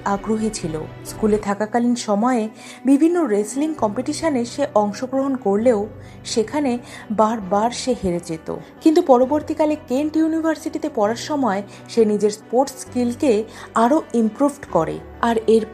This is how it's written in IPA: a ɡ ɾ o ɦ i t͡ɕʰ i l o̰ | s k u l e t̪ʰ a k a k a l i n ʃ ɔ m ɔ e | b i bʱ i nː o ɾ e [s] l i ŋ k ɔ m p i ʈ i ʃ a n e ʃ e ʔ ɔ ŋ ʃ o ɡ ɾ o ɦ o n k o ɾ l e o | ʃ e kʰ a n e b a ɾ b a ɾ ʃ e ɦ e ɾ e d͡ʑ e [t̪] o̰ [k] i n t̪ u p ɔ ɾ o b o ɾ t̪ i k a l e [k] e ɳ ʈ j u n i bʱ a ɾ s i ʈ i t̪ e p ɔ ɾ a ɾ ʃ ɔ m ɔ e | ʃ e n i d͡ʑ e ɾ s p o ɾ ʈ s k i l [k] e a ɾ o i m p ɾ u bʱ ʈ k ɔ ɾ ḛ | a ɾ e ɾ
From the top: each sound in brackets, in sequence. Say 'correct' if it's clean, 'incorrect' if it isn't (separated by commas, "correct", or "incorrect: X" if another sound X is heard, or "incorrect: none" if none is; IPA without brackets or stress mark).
correct, correct, correct, correct, correct